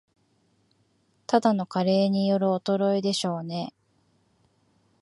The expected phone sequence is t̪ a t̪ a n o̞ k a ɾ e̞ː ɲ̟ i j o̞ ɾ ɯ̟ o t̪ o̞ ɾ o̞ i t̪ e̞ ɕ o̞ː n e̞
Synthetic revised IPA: t̪ a d̪ a n o̞ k a ɾ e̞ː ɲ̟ i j o̞ ɾ ɯ̟ o t̪ o̞ ɾ o̞ i d̪ e̞ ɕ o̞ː n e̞